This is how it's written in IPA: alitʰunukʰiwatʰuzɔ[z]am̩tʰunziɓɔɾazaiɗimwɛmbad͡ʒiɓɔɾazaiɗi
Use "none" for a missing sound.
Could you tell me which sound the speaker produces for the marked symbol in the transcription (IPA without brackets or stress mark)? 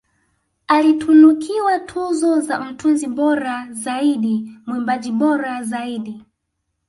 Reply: z